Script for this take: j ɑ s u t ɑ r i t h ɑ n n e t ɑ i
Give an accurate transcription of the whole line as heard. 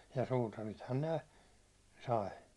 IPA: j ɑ s uː t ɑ r i t h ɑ n n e s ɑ i